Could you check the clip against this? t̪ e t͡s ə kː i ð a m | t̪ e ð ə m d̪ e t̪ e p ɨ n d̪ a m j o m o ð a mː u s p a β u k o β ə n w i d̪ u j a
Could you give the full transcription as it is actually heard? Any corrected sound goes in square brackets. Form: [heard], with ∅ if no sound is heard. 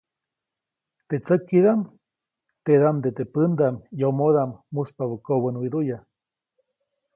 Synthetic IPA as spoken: t̪ e t͡s ə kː i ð a m | t̪ e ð [a] m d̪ e t̪ e p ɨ n d̪ a m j o m o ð a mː u s p a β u k o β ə n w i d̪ u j a